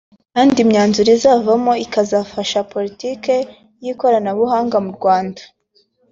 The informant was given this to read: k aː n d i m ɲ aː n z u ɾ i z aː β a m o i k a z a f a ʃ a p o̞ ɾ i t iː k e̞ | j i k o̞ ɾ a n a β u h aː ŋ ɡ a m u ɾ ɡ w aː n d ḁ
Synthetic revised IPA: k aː n d i m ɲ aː n z u ɾ i z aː v a m o i k a z a f a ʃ a p o̞ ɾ i t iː k e̞ | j i k o̞ ɾ a n a β u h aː ŋ ɡ a m u ɾ ɡ w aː n d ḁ